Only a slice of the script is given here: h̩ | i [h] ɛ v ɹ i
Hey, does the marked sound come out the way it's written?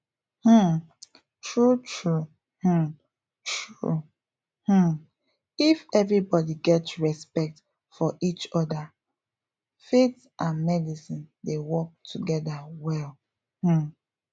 no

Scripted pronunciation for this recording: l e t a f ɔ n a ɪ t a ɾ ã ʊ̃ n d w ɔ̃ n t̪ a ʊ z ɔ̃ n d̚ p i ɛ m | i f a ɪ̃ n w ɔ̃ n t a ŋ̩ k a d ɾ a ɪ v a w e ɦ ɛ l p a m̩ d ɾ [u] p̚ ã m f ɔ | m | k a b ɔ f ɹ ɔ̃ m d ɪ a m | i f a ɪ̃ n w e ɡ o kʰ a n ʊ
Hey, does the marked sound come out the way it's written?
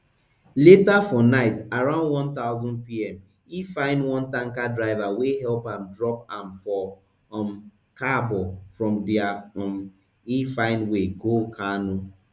no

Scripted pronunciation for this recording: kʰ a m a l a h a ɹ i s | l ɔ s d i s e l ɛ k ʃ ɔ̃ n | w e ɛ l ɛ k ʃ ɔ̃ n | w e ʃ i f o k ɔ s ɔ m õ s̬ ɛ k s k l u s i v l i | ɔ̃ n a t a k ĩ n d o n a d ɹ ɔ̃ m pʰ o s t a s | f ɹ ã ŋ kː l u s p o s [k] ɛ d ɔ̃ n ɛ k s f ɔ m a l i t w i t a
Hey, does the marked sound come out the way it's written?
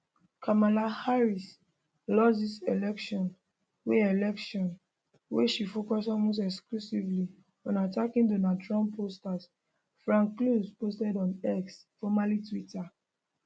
no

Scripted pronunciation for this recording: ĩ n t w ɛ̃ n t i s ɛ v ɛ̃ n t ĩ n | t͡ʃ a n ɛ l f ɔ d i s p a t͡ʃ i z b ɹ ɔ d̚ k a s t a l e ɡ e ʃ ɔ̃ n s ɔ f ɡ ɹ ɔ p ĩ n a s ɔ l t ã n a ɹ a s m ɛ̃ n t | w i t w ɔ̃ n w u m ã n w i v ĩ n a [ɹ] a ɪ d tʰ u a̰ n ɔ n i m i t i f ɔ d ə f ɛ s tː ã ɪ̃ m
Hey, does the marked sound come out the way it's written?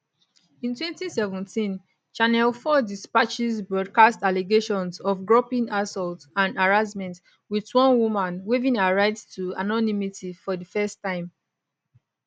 yes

